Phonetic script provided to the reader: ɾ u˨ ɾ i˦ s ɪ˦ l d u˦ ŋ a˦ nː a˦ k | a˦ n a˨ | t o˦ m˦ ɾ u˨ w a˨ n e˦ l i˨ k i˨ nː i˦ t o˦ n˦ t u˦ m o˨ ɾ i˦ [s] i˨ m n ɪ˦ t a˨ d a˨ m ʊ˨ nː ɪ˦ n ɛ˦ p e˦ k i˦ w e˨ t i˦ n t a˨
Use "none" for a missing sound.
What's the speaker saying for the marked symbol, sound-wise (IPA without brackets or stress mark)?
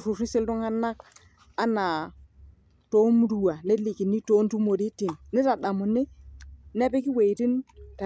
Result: t